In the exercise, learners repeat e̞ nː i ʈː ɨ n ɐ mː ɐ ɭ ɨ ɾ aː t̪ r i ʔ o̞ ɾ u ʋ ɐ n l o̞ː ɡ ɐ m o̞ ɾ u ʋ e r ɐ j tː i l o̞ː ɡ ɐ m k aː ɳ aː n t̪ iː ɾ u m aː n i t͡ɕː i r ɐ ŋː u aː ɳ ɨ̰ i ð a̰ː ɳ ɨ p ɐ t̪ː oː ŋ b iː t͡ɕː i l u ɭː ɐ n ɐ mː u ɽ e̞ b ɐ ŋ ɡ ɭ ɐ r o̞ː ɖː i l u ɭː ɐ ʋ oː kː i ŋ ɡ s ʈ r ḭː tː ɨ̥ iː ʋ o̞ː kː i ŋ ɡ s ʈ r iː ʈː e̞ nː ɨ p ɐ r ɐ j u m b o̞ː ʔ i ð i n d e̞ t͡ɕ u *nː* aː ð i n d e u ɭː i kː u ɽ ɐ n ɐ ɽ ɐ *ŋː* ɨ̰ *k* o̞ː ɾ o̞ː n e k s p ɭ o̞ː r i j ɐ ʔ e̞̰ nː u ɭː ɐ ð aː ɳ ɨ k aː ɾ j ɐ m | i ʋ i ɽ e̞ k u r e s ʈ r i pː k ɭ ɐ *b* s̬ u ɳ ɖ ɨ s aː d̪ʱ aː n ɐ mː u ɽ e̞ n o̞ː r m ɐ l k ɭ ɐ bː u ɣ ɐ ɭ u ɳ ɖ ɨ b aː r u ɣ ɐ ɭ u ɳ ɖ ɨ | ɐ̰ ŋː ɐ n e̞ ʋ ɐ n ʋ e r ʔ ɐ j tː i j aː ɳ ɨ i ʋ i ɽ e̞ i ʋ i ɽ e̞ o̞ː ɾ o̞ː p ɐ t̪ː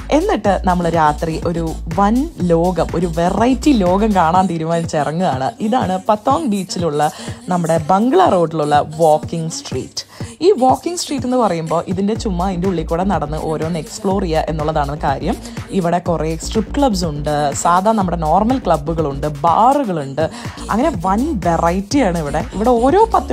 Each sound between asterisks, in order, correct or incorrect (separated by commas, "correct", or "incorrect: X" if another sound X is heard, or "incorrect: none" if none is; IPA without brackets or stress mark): incorrect: mː, incorrect: nː, incorrect: ʔ, correct